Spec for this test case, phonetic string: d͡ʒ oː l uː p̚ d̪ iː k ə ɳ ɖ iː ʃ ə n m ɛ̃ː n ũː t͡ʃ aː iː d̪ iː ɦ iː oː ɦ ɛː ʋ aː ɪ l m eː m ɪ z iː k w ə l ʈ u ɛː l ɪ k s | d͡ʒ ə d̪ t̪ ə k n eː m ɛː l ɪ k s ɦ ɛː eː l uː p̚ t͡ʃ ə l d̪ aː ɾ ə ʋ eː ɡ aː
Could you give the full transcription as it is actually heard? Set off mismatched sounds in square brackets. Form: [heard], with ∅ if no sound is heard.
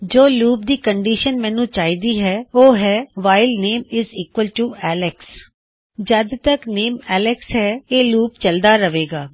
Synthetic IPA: d͡ʒ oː l uː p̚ d̪ iː k ə ɳ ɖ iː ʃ ə n m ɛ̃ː n ũː t͡ʃ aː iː d̪ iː ɦ [ɛː] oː ɦ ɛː ʋ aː ɪ l [n] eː m ɪ z iː k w ə l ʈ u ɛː l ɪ k s | d͡ʒ ə d̪ t̪ ə k n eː m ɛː l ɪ k s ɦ ɛː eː l uː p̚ t͡ʃ ə l d̪ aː ɾ ə ʋ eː ɡ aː

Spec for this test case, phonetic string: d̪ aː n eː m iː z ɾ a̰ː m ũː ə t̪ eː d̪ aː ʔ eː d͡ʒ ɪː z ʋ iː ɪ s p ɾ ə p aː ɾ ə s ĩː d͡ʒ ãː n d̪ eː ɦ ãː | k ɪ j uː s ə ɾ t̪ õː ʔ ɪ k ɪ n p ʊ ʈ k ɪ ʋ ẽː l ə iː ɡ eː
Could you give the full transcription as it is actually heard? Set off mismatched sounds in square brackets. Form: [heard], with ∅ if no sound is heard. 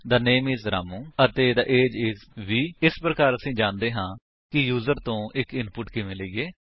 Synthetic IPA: d̪ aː n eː m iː z ɾ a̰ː m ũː ə t̪ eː d̪ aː ʔ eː d͡ʒ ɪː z ʋ iː ɪ s p ɾ ə [k] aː ɾ ə s ĩː d͡ʒ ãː n d̪ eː ɦ ãː | k ɪ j uː [z] ə ɾ t̪ õː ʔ ɪ k ɪ n p ʊ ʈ k ɪ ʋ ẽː l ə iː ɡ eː

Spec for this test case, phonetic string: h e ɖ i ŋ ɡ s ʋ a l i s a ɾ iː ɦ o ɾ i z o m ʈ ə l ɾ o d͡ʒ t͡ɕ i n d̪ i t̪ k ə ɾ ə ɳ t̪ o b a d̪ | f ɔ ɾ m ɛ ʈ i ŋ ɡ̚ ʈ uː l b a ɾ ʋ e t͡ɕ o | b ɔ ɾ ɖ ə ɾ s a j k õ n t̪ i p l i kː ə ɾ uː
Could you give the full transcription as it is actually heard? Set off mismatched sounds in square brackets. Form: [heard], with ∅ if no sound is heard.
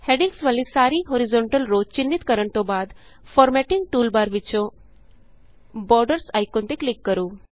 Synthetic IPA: h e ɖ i ŋ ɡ s ʋ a l i s a ɾ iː ɦ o ɾ i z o [ɳ] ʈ ə l ɾ o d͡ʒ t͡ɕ i n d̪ i t̪ k ə ɾ ə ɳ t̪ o b a d̪ | f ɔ ɾ m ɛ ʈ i ŋ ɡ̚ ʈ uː l b a ɾ ʋ [i] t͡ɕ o | b ɔ ɾ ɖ ə ɾ s a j k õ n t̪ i [k] l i kː ə ɾ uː

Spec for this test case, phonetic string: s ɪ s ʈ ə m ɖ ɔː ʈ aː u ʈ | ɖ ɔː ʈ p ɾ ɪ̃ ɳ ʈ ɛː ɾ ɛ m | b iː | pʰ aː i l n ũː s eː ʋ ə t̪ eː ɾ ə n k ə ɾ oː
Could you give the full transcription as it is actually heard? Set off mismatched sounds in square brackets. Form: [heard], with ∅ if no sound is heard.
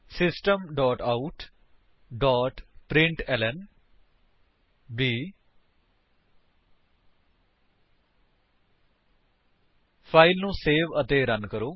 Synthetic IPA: s ɪ s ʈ ə m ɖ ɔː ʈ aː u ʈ | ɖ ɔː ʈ p ɾ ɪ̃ ɳ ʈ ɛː [l] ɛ [n] | b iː | pʰ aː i l n ũː s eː ʋ ə t̪ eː ɾ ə n k ə ɾ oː

